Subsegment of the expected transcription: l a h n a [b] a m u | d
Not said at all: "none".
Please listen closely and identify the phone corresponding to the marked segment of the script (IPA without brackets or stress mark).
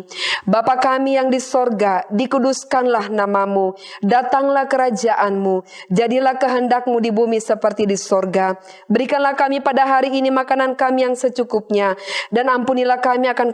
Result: m